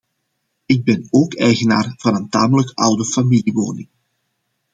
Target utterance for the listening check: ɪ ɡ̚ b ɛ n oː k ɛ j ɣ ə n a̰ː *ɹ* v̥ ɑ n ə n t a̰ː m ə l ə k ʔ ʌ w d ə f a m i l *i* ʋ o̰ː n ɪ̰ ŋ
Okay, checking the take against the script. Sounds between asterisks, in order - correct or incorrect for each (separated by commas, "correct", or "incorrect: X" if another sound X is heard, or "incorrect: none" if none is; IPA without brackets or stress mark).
incorrect: r, correct